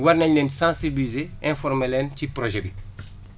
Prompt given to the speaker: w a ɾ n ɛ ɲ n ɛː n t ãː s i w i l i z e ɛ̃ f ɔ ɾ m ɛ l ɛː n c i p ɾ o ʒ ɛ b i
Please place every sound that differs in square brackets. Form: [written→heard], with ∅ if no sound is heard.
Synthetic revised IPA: w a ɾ n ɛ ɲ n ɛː n [t→s] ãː s i [w→b] i l i z e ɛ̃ f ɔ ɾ m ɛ l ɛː n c i p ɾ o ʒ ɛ b i